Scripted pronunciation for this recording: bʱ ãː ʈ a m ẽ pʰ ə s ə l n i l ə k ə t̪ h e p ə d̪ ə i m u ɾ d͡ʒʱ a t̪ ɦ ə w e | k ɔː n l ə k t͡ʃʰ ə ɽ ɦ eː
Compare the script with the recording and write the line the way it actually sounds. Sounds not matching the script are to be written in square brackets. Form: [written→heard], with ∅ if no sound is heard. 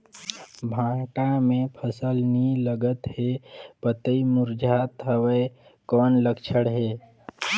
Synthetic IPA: bʱ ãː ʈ a m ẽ pʰ ə s ə l n i l ə [k→ɡ] ə t̪ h e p ə [d̪→t̪] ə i m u ɾ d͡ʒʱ a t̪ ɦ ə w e | k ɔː n l ə k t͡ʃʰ ə ɽ ɦ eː